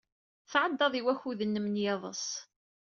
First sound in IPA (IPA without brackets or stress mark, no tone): θ